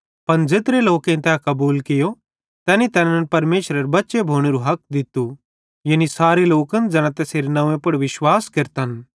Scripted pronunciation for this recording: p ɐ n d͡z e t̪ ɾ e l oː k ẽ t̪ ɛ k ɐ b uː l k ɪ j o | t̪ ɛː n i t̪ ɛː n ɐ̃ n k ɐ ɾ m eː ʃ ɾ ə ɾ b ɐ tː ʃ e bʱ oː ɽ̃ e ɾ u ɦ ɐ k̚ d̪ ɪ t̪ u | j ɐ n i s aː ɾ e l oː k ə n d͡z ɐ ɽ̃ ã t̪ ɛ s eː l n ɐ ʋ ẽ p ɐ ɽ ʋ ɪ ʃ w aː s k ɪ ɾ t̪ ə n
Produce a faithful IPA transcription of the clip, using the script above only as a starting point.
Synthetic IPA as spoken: p ɐ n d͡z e t̪ ɾ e l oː k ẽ t̪ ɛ k ɐ b uː l k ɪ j o | t̪ ɛː n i t̪ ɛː n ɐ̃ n p ɐ ɾ m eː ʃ ɾ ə ɾ b ɐ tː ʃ e bʱ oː ɽ̃ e ɾ u ɦ ɐ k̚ d̪ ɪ t̪ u | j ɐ n i s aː ɾ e l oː k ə n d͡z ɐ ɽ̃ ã t̪ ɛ s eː ɾ n ɐ ʋ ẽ p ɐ ɽ ʋ ɪ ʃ w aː s k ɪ ɾ t̪ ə n